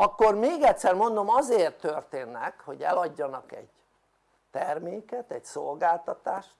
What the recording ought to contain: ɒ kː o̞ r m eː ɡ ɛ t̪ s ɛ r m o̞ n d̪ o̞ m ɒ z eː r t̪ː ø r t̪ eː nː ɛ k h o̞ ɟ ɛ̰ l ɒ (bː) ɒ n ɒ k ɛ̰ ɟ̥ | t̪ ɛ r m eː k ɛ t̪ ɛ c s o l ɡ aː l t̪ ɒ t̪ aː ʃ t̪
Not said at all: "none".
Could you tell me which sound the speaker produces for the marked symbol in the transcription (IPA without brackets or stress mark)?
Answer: ɟː